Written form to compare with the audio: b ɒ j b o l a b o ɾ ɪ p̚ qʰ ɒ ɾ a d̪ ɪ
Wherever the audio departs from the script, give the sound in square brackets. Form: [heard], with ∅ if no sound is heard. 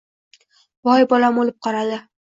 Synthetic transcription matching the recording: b ɒ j b [ɒ] l a [m] o [l] ɪ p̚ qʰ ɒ ɾ a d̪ ɪ